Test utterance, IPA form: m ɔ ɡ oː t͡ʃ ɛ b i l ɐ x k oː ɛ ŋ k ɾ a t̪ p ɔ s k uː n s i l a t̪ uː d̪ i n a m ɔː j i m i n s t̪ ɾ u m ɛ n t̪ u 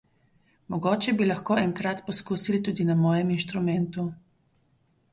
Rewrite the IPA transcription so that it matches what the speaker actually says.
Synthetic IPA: m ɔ ɡ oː t͡ʃ ɛ b i l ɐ x k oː ɛ ŋ k ɾ a t̪ p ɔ s k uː s i l i t̪ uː d̪ i n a m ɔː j ɛ m i n ʃ t̪ ɾ u m ɛ n t̪ u